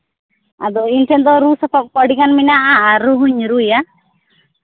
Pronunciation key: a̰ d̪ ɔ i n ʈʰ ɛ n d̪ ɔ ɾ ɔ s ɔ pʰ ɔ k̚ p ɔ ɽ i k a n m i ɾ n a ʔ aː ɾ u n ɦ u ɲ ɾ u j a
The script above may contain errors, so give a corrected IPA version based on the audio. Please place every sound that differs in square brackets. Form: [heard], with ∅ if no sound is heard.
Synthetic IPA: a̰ d̪ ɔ i n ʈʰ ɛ n d̪ ɔ ɾ [u] s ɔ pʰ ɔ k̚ p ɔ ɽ i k a n m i [∅] n a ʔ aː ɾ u [∅] ɦ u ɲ ɾ u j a